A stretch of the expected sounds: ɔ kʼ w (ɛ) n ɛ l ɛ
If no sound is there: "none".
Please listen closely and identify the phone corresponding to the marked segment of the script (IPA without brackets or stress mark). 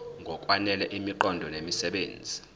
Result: a